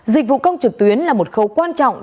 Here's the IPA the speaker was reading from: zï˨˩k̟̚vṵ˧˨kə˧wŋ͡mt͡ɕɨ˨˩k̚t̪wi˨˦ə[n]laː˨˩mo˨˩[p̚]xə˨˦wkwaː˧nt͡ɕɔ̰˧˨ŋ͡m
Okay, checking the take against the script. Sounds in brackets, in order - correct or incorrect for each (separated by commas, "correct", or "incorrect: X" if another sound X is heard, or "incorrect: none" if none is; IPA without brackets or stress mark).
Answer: correct, incorrect: t̚